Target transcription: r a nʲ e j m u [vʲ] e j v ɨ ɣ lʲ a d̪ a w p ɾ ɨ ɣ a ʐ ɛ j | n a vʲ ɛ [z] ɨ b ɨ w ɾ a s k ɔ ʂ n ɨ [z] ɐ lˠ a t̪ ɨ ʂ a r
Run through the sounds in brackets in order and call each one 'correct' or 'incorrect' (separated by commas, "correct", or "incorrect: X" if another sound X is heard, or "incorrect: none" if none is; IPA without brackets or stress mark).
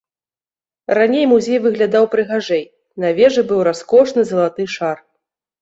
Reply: incorrect: zʲ, incorrect: ʐ, correct